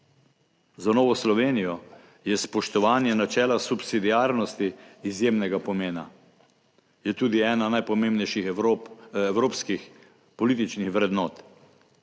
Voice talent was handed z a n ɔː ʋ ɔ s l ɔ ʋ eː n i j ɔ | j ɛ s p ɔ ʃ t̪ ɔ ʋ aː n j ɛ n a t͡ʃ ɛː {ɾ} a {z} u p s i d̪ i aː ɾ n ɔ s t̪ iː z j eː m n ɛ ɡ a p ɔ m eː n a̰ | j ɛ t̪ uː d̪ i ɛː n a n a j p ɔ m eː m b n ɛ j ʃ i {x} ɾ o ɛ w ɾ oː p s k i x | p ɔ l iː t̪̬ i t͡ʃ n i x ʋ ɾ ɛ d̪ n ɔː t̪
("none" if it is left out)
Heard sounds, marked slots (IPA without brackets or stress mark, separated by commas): l, s, x